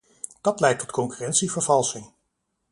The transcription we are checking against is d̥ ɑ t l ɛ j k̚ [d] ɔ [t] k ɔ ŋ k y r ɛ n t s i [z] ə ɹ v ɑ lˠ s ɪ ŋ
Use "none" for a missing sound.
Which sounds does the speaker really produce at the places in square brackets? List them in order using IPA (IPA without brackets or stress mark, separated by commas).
t, t, v